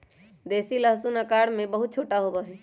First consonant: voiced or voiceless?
voiced